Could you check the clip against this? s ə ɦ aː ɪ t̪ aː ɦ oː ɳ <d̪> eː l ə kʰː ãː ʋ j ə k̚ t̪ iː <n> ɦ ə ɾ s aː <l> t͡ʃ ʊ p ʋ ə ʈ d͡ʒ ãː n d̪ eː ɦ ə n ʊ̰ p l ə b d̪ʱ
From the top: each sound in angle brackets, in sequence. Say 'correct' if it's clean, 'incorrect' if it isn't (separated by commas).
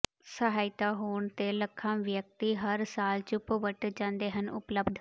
incorrect, incorrect, correct